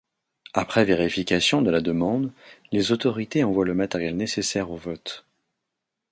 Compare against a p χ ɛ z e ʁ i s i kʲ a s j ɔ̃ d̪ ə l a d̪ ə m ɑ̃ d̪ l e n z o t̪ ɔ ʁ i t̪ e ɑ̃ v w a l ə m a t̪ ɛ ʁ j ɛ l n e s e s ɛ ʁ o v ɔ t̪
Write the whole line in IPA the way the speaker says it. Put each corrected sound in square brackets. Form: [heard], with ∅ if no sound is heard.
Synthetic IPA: a p χ ɛ [v] e ʁ i [f] i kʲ a s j ɔ̃ d̪ ə l a d̪ ə m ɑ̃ d̪ l e [∅] z o t̪ ɔ ʁ i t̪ e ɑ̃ v w a l ə m a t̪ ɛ ʁ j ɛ l n e s e s ɛ ʁ o v ɔ t̪